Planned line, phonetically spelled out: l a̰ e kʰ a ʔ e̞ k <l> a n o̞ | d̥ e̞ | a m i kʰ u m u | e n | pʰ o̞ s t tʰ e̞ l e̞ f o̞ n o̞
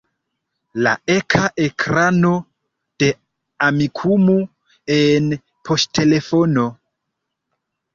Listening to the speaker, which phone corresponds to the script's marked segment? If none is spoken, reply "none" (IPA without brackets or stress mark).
ɾ